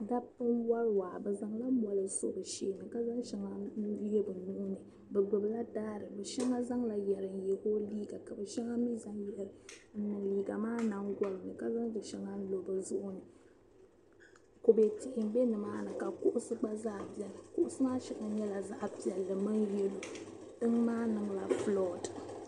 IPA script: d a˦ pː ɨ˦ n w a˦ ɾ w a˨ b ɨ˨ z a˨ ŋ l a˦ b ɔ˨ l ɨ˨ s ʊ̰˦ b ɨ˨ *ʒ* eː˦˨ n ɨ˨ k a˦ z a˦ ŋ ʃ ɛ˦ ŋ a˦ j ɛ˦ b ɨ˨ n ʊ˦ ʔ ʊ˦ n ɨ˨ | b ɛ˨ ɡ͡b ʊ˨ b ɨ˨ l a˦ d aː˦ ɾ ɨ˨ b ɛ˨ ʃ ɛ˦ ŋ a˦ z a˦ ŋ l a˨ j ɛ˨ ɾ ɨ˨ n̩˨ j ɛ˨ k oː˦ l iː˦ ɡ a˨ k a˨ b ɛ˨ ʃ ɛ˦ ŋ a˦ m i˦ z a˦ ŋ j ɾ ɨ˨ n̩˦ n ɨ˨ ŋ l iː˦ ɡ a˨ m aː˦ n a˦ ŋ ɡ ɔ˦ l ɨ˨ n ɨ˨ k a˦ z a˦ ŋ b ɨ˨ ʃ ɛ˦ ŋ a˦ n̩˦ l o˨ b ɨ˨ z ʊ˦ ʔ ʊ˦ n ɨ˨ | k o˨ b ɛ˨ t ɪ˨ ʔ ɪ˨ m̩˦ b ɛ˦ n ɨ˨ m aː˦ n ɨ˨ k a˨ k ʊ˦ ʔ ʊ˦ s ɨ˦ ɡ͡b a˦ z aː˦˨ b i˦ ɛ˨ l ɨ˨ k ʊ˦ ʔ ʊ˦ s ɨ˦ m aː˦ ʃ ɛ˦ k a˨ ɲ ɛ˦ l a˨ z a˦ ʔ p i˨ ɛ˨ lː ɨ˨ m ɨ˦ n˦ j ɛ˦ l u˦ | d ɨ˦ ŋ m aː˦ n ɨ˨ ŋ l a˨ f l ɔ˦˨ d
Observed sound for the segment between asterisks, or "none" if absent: ʃ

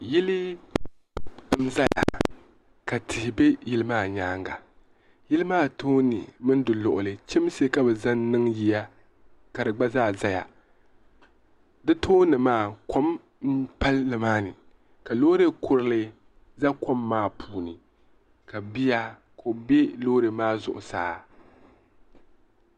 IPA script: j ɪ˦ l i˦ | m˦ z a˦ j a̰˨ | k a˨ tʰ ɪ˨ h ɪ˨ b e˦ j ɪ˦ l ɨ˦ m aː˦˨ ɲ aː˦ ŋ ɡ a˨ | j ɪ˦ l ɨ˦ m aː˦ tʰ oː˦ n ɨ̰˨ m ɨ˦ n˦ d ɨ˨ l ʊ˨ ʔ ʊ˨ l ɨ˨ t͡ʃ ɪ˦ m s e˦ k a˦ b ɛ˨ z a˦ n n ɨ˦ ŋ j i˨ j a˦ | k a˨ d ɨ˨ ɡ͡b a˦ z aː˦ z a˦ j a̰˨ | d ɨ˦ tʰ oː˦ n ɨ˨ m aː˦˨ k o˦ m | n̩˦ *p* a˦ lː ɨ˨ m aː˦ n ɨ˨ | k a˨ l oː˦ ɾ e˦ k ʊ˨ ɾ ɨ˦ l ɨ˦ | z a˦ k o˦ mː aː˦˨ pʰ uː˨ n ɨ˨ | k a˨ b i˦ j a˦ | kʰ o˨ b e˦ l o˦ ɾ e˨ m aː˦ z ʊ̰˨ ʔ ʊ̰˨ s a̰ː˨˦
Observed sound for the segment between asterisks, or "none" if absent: p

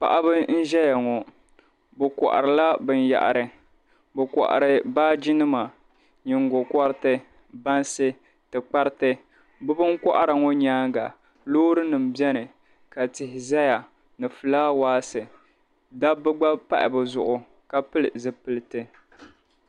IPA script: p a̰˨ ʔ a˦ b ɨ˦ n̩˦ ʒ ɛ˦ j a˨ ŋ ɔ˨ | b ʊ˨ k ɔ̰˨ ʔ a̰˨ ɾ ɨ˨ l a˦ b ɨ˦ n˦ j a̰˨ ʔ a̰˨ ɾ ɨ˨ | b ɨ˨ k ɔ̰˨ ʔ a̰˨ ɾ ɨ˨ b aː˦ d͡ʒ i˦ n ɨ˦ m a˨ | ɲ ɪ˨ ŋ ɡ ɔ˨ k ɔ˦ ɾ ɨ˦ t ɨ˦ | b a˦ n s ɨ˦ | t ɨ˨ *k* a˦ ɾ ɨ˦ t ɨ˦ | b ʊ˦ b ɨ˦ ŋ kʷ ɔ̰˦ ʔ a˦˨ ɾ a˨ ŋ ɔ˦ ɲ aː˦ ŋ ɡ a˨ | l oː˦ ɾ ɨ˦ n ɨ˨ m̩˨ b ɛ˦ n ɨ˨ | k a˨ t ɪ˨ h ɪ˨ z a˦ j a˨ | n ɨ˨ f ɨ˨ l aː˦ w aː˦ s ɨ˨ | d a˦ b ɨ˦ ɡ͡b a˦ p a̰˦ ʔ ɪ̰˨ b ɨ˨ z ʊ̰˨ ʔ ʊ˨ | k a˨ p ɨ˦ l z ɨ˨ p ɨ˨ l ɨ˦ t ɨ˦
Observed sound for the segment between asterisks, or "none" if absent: k͡p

